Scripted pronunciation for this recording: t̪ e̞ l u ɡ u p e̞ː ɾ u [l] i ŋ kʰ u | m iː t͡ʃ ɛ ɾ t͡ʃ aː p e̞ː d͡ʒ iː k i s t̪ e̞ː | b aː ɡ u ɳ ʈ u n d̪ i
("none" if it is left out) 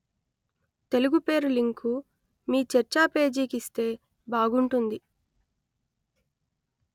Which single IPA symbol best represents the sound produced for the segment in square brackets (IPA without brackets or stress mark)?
l